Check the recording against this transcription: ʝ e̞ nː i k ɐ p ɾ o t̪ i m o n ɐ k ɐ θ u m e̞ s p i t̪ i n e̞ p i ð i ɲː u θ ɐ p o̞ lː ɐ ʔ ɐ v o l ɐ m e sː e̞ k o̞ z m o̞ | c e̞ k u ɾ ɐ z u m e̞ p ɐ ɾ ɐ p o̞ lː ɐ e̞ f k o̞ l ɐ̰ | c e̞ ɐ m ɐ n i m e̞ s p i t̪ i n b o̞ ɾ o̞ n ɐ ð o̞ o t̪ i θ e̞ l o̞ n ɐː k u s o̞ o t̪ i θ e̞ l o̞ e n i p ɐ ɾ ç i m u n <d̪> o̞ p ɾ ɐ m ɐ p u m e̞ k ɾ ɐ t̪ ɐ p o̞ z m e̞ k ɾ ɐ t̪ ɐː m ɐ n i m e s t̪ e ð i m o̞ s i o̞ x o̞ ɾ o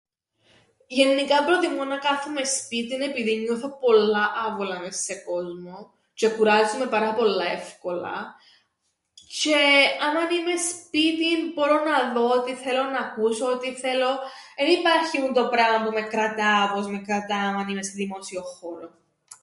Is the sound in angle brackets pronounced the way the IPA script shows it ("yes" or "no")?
no